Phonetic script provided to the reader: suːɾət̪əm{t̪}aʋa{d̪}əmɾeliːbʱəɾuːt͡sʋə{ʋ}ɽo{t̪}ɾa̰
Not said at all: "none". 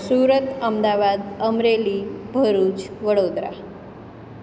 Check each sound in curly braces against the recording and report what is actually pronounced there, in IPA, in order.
d̪, d̪, none, d̪

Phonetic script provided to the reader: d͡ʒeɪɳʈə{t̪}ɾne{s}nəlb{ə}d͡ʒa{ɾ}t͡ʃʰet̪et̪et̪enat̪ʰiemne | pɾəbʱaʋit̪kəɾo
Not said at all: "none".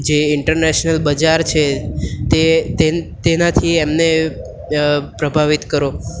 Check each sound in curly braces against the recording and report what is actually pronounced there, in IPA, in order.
none, ʃ, ə, ɾ

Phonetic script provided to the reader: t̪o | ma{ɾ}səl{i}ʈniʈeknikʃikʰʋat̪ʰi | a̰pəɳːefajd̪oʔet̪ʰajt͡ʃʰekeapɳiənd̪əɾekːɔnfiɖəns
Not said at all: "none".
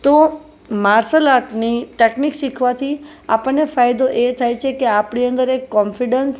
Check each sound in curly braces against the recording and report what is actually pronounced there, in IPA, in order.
ɾ, a

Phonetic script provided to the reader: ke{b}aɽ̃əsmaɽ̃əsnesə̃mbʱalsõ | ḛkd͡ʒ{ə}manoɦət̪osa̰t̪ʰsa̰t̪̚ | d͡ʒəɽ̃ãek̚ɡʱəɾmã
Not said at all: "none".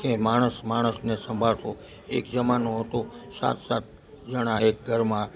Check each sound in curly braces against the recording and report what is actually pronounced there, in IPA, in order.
m, ə

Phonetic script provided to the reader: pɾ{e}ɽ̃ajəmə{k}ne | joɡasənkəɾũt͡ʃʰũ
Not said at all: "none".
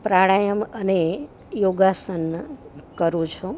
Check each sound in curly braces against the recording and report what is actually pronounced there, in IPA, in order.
a, none

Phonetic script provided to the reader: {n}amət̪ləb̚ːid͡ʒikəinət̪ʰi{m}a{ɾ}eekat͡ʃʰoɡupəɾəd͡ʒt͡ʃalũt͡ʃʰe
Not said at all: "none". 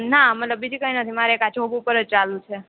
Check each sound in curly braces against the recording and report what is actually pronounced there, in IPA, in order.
n, m, ɾ

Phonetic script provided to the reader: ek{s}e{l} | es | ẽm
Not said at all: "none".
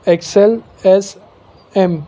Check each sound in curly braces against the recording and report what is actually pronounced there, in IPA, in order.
s, l

